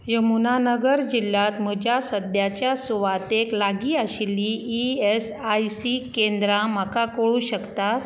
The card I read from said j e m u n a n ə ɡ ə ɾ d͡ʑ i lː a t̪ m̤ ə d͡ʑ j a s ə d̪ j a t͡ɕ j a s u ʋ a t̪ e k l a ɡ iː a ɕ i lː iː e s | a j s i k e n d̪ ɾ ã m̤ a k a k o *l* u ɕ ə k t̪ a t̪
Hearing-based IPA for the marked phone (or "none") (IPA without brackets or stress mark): ɭ